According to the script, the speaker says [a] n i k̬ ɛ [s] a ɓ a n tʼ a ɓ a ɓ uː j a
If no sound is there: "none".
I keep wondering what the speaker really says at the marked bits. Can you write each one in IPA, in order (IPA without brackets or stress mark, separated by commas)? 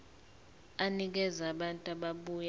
a, z